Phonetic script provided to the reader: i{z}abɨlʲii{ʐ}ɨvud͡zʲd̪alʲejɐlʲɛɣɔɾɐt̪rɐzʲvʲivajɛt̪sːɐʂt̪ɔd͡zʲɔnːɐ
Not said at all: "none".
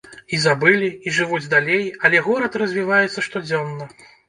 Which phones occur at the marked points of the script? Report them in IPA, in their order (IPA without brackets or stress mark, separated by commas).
z, ʐ